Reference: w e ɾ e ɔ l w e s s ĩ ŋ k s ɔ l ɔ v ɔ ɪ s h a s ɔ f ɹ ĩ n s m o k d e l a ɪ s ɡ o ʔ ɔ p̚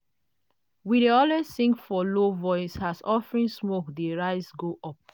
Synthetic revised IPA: w i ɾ e ɔ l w e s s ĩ ŋ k f ɔ l o v ɔ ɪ s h a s ɔ f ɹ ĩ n s m o k d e ɹ a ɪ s ɡ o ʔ ɔ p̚